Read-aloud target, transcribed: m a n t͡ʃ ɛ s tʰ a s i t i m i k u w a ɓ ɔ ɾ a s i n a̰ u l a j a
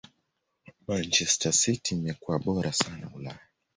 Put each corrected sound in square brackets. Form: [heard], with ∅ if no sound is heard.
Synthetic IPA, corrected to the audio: m a n t͡ʃ ɛ s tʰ a s i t i m [ɛ] k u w a ɓ ɔ ɾ a s [a] n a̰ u l a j a